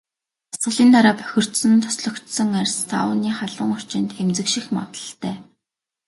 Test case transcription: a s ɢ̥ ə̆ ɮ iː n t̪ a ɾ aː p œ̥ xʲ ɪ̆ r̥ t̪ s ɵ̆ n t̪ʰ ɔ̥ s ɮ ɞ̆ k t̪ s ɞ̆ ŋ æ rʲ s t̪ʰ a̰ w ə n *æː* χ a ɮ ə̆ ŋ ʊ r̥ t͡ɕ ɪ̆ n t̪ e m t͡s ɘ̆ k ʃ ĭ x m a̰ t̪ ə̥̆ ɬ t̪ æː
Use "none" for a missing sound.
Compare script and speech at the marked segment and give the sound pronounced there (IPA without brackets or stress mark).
iː